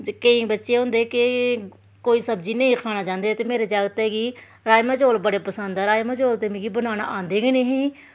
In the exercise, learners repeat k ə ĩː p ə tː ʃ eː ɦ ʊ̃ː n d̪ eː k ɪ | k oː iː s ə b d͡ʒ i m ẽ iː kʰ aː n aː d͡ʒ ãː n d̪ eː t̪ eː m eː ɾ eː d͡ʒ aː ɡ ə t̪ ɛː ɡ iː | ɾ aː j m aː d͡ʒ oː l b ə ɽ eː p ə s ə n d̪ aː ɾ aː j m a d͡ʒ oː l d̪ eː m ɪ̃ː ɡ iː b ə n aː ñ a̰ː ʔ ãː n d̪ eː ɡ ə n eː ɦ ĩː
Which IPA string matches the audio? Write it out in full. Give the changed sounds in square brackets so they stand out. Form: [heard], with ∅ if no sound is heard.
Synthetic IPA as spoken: k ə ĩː [b] ə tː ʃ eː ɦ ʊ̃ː n d̪ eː k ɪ | k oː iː s ə b d͡ʒ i [n] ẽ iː kʰ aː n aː d͡ʒ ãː n d̪ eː t̪ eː m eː ɾ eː d͡ʒ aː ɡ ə t̪ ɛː ɡ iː | ɾ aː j m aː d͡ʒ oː l b ə ɽ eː p ə s ə n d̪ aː ɾ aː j m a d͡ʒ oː l [t̪] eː m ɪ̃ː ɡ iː b ə n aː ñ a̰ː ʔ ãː n d̪ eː ɡ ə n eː ɦ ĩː